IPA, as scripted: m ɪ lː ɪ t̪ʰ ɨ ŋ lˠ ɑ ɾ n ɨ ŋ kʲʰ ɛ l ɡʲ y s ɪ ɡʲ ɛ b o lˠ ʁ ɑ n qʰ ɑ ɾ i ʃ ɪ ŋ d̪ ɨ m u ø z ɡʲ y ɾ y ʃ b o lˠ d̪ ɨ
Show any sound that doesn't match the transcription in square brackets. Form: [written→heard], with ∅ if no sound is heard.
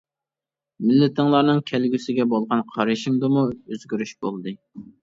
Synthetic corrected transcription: m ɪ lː ɪ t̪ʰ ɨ ŋ lˠ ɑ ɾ n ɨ ŋ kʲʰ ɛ l ɡʲ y s ɪ ɡʲ ɛ b o lˠ ʁ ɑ n qʰ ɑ ɾ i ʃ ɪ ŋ d̪ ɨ m u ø z ɡʲ y ɾ y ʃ b o lˠ d̪ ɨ